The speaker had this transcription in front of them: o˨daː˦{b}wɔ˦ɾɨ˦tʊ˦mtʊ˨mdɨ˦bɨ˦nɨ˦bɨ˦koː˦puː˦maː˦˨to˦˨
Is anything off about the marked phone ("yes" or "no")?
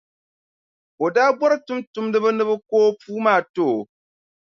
no